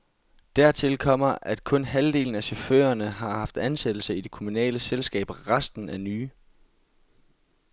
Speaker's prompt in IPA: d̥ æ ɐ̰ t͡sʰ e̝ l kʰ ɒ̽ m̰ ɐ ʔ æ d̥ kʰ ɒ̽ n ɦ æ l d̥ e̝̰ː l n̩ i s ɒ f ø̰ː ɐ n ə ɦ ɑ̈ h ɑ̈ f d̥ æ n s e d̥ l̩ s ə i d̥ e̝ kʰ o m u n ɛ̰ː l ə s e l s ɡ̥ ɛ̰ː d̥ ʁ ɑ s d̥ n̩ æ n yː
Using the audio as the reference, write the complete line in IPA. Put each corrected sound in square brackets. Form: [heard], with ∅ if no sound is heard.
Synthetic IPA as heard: d̥ æ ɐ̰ t͡sʰ e̝ l kʰ ɒ̽ m̰ ɐ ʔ æ d̥ kʰ [ɔ̽] n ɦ æ l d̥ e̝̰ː l n̩ [æ] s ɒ f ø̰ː ɐ n ə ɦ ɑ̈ h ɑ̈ f d̥ æ n s e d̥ l̩ s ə i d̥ e̝ kʰ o m u n ɛ̰ː l ə s e l s ɡ̥ ɛ̰ː [b̥] ʁ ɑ s d̥ n̩ æ n yː